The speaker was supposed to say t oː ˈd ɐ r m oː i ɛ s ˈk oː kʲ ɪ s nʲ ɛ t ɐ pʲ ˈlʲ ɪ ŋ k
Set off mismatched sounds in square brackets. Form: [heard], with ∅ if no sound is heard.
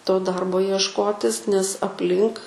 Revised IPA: t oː ˈd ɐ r [b] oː i ɛ [ʃ] ˈk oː [tʲ] ɪ s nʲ ɛ [s] ɐ pʲ ˈlʲ ɪ ŋ k

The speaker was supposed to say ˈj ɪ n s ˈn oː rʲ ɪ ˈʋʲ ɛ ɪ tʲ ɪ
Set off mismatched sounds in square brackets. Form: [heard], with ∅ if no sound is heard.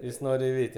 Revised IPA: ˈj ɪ [∅] s ˈn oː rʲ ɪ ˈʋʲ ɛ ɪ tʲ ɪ

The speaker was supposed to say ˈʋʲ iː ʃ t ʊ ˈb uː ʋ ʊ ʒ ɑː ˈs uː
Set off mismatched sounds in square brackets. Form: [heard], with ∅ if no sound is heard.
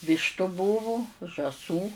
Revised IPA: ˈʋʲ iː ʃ t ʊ ˈb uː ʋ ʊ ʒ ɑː ˈs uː

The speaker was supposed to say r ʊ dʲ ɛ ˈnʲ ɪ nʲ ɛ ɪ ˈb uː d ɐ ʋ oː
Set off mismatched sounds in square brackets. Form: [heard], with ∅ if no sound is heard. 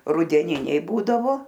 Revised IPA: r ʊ dʲ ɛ ˈnʲ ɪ nʲ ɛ ɪ ˈb uː d ɐ ʋ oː

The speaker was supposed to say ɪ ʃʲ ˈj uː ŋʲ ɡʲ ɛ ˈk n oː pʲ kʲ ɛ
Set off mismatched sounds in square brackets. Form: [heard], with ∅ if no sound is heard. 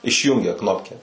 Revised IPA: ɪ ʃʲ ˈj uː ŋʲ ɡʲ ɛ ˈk n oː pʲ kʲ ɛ

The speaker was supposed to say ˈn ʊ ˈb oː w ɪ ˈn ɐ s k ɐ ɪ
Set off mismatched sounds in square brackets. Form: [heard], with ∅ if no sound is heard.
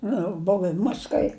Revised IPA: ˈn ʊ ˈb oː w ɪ [ˈm] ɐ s k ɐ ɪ

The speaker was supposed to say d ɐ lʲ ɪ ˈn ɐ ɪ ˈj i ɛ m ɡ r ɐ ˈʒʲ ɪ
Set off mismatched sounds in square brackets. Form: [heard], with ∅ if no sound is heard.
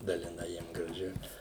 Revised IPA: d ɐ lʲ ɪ ˈn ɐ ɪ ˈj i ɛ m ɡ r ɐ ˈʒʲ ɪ

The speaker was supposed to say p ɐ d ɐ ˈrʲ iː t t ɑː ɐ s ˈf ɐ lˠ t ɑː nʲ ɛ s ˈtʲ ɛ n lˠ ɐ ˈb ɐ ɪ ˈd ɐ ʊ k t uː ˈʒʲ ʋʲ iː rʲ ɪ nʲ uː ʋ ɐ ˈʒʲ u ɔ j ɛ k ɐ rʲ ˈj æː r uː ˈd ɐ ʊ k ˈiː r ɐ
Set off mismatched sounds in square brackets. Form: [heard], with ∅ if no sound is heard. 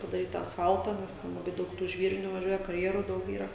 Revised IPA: p ɐ d ɐ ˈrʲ iː t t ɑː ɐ s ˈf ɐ lˠ t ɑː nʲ ɛ s ˈtʲ ɛ n lˠ ɐ ˈb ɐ ɪ ˈd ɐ ʊ k t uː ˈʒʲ ʋʲ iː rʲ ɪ nʲ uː ʋ ɐ ˈʒʲ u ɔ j ɛ k ɐ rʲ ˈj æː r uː ˈd ɐ ʊ k ˈiː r ɐ

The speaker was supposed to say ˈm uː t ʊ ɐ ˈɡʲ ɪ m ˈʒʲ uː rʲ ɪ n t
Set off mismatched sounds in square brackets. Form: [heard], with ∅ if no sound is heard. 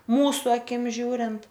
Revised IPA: ˈm uː [s] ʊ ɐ [ˈkʲ] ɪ m ˈʒʲ uː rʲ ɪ n t

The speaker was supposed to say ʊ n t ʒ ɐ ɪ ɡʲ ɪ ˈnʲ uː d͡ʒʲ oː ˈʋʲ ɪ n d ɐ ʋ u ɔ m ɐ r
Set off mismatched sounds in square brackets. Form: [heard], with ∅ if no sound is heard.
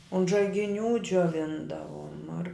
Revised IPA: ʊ n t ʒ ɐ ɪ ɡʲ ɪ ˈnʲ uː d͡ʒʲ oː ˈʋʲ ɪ n d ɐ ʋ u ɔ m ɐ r

